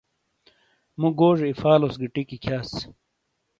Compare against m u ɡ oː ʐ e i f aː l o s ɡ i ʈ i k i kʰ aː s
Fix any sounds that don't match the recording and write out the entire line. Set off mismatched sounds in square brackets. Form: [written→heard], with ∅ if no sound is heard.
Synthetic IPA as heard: m u ɡ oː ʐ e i f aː l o s ɡ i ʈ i k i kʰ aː s